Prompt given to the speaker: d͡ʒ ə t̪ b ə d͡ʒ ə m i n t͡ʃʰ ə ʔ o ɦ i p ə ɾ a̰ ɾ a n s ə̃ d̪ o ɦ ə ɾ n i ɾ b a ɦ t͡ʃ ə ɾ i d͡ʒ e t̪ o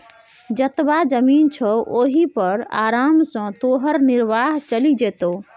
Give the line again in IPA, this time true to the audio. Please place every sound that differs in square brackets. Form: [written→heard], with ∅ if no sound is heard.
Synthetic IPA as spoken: d͡ʒ ə t̪ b [ə→a] d͡ʒ ə m i n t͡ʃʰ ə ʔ o ɦ i p ə ɾ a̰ ɾ a [n→m] s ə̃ [d̪→t̪] o ɦ ə ɾ n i ɾ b a ɦ t͡ʃ ə [ɾ→l] i d͡ʒ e t̪ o